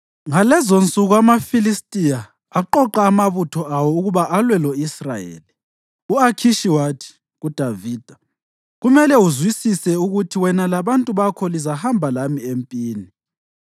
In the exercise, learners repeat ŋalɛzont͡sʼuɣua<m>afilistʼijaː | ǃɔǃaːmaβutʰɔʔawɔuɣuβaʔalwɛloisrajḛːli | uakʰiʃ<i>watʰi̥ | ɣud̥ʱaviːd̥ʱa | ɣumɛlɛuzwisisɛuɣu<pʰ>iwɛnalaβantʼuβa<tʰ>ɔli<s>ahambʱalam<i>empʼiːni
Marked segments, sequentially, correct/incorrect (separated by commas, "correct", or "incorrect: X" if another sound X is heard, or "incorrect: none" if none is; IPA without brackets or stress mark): correct, correct, incorrect: tʰ, incorrect: kʰ, incorrect: z, correct